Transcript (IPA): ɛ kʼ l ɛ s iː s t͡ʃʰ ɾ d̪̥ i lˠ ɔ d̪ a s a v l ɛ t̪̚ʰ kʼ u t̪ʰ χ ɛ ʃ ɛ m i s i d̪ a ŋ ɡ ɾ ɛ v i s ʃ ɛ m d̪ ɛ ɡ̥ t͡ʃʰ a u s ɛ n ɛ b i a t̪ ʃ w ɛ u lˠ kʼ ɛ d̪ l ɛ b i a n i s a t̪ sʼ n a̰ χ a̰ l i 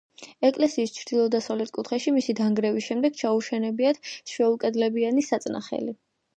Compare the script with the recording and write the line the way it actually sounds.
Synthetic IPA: ɛ kʼ l ɛ s iː s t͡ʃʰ ɾ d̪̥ i lˠ ɔ d̪ a s a v l ɛ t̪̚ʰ kʼ u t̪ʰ χ ɛ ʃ i m i s i d̪ a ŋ ɡ ɾ ɛ v i s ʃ ɛ m d̪ ɛ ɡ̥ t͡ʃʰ a u ʃ ɛ n ɛ b i a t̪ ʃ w ɛ u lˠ kʼ ɛ d̪ l ɛ b i a n i s a t̪ sʼ n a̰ χ ɛ̰ l i